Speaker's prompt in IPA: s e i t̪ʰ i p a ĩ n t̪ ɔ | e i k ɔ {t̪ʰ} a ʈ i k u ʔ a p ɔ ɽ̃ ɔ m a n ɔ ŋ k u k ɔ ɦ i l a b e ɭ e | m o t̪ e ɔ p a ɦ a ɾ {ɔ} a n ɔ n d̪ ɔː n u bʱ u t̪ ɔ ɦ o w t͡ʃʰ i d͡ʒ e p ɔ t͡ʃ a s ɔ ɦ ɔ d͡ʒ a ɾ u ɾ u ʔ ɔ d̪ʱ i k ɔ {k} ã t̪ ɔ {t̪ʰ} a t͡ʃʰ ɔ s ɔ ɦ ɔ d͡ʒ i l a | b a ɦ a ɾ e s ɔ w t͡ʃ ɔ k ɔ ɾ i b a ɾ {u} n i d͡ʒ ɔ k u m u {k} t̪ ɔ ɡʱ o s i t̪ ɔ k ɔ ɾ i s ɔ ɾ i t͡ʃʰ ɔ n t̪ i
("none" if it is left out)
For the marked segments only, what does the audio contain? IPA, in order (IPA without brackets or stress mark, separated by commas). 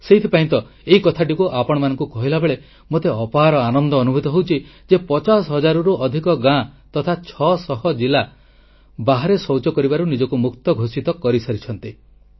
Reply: t̪ʰ, ɔ, ɡ, t̪ʰ, u, k